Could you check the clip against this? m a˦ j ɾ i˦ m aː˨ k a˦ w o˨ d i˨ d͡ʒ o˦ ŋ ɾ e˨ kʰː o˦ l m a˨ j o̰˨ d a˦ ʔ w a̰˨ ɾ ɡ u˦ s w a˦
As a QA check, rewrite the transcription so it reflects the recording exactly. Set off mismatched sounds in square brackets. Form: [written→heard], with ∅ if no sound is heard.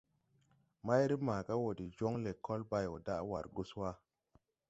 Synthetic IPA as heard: m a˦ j ɾ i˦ m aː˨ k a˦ w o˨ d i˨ d͡ʒ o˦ ŋ [ɾ→l] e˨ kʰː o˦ l [m→b] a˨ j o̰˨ d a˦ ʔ w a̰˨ ɾ ɡ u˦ s w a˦